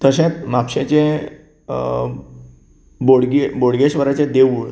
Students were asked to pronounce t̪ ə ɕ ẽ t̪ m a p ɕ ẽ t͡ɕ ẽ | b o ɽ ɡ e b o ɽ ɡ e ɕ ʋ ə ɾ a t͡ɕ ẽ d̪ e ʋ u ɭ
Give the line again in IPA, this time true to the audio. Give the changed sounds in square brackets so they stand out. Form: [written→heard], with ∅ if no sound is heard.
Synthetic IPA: t̪ ə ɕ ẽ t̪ m a p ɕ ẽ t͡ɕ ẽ | b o ɽ ɡ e b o ɽ ɡ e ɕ ʋ ə ɾ a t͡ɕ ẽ d̪ e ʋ u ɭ